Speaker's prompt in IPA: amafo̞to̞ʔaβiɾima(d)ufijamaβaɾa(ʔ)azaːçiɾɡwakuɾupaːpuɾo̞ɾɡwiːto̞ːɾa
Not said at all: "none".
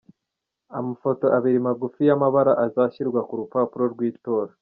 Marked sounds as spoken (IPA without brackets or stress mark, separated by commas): ɡ, ʔ